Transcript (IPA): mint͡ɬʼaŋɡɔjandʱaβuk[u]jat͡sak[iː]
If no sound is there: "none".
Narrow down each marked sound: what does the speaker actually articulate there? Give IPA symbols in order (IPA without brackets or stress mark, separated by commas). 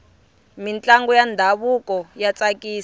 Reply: ɔ, iː